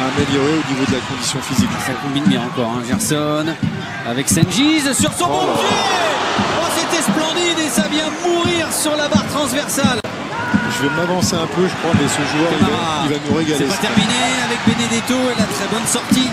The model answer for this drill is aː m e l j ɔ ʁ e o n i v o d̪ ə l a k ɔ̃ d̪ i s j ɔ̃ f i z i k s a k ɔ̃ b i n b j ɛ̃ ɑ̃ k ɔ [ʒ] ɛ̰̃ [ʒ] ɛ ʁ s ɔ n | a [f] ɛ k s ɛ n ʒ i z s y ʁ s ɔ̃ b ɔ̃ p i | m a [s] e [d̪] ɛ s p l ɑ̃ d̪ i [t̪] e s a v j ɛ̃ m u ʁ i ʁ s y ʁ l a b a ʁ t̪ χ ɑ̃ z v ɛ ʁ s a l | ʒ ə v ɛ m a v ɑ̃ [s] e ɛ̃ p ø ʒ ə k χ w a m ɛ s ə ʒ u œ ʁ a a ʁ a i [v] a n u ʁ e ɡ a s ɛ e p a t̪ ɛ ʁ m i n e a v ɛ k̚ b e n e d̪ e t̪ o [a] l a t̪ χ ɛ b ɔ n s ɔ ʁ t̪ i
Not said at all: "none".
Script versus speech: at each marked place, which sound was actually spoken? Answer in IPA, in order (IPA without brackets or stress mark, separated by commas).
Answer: ʁ, ʒ, v, s, t̪, d̪, s, v, e